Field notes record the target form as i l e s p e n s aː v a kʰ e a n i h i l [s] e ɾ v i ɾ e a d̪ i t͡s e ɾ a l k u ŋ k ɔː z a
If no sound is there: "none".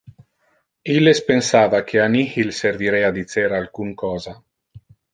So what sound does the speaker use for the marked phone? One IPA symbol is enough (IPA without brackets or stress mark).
s